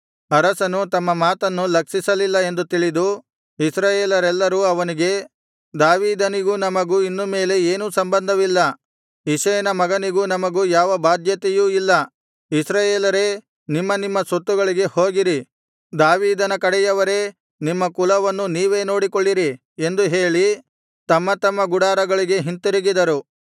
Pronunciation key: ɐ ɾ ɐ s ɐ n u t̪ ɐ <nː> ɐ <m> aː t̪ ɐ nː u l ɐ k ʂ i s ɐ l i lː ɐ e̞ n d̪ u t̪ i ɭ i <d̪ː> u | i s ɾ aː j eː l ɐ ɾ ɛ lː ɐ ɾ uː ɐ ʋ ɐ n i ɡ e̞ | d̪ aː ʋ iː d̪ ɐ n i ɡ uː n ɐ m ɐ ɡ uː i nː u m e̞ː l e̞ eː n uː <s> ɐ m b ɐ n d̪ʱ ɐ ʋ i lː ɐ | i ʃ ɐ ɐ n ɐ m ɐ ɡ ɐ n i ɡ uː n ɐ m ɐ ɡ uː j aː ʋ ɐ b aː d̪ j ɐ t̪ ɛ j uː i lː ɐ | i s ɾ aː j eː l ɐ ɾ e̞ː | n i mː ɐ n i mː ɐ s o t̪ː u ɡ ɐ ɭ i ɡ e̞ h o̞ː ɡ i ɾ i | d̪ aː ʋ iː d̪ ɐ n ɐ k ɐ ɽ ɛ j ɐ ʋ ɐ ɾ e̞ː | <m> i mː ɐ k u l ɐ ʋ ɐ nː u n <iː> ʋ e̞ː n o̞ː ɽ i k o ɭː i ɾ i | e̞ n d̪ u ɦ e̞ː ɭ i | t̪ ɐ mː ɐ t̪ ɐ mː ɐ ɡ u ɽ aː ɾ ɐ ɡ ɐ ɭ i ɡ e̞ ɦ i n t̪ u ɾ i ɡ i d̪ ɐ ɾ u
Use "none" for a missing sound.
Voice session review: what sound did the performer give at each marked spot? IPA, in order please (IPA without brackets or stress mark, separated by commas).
mː, m, d̪, s, n, iː